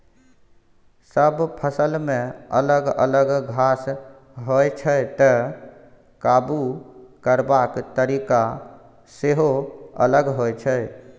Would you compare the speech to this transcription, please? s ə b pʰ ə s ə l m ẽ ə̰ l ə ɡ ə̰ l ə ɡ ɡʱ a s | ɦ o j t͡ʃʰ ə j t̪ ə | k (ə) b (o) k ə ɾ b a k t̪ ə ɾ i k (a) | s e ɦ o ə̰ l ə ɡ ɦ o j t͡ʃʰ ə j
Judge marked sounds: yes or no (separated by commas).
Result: no, no, yes